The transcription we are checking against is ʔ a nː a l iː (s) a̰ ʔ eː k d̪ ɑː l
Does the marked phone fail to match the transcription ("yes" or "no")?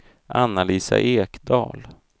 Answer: no